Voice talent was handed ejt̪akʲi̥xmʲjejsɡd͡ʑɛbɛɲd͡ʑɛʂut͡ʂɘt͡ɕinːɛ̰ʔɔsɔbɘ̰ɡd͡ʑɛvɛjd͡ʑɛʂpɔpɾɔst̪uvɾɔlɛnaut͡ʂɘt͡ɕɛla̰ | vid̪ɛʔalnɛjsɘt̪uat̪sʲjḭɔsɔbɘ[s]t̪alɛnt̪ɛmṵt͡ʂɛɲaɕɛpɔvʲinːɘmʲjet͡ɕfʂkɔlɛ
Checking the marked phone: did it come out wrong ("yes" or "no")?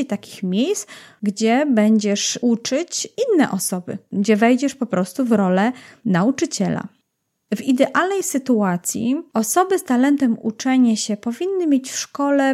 no